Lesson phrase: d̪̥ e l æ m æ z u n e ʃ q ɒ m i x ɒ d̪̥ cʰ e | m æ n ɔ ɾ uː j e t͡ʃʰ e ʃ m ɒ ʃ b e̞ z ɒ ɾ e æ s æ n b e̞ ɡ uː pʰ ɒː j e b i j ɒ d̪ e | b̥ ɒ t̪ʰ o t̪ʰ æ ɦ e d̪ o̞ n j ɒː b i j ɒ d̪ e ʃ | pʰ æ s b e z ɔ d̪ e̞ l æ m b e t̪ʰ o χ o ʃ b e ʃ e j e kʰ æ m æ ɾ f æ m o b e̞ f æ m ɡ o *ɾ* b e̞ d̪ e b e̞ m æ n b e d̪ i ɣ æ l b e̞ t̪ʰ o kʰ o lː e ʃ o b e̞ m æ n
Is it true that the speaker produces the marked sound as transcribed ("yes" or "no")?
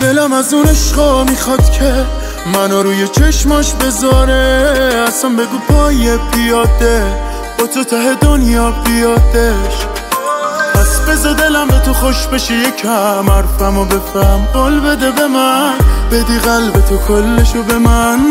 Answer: no